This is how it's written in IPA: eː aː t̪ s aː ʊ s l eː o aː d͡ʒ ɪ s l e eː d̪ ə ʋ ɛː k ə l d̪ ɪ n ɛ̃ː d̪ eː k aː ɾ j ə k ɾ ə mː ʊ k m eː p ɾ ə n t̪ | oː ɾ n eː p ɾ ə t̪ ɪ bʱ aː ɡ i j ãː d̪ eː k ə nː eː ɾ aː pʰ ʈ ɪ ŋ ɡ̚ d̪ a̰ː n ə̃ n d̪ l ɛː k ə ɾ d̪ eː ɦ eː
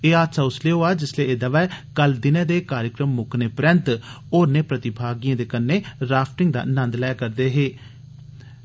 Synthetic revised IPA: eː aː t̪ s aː ʊ s l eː o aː d͡ʒ ɪ s l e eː d̪ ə ʋ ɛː k ə l d̪ ɪ n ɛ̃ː d̪ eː k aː ɾ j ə k ɾ ə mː ʊ k n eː p ɾ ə n t̪ | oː ɾ n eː p ɾ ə t̪ ɪ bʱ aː ɡ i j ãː d̪ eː k ə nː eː ɾ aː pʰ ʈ ɪ ŋ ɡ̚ d̪ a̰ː n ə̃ n d̪ l ɛː k ə ɾ d̪ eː ɦ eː